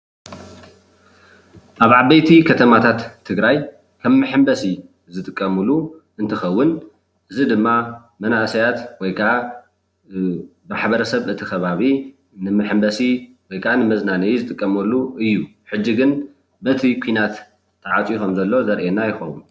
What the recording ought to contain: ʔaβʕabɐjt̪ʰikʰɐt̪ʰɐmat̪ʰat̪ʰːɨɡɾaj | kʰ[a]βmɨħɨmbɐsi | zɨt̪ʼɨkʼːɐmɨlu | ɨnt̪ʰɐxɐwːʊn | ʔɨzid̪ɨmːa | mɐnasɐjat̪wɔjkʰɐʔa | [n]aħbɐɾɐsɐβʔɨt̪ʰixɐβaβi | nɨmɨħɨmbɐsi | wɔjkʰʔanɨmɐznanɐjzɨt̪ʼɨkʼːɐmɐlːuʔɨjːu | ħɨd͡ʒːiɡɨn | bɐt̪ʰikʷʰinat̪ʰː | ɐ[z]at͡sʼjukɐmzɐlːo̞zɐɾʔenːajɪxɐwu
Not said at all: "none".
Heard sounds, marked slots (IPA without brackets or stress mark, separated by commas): ɐ, m, ʕ